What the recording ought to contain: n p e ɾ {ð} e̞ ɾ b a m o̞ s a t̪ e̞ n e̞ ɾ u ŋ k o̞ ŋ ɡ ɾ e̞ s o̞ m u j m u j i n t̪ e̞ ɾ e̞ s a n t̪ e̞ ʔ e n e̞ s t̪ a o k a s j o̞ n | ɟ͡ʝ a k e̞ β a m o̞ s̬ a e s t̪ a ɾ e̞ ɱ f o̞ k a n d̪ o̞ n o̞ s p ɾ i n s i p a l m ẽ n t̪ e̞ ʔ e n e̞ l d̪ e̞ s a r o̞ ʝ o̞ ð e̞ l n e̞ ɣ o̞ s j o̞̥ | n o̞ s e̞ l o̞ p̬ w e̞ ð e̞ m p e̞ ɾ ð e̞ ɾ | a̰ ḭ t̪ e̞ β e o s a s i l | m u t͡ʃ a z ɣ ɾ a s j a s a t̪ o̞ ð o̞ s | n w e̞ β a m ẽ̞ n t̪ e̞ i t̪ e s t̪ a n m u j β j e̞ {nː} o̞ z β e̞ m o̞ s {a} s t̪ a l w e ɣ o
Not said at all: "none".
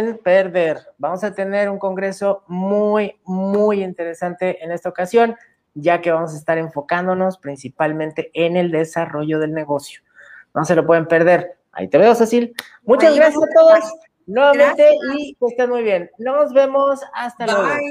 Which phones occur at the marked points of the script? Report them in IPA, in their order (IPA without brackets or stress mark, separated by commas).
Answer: ð, nː, a